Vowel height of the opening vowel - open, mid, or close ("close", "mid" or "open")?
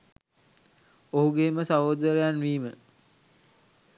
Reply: mid